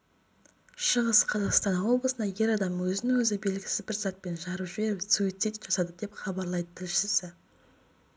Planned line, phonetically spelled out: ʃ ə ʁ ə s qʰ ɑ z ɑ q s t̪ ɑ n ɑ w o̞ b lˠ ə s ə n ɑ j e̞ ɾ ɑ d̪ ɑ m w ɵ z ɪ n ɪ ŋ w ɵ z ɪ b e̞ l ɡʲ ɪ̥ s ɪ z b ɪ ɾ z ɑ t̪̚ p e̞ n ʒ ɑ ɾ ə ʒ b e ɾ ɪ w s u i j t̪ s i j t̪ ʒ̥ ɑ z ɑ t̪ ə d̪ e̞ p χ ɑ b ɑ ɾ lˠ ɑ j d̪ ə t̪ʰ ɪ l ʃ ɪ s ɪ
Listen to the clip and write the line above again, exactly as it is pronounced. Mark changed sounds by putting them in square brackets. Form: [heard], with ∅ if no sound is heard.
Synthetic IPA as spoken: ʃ ə ʁ ə s qʰ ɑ z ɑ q s t̪ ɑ n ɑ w o̞ b lˠ ə s ə n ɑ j e̞ ɾ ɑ d̪ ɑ m w ɵ z ɪ n ɪ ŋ w ɵ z ɪ b e̞ l ɡʲ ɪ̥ s ɪ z b ɪ ɾ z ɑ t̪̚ p e̞ n ʒ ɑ ɾ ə ʒ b e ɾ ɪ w s u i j t̪ s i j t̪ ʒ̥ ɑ [s] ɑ [d̪] ə d̪ e̞ p χ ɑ b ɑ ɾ lˠ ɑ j d̪ ə t̪ʰ ɪ l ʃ ɪ s ɪ